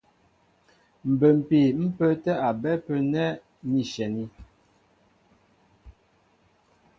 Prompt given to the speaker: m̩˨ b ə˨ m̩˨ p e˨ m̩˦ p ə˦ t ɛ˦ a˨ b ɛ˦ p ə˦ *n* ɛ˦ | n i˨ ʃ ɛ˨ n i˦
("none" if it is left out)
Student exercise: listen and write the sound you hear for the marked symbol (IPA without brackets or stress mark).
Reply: n